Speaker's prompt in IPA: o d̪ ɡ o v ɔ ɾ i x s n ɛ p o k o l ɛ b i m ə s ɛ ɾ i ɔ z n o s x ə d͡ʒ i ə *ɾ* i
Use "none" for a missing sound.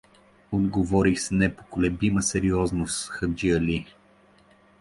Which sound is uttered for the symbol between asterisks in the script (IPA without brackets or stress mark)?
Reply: l